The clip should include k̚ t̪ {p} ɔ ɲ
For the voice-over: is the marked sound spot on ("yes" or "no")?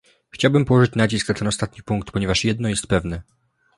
yes